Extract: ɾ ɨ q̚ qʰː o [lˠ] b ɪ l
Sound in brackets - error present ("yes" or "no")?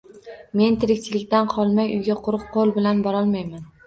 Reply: no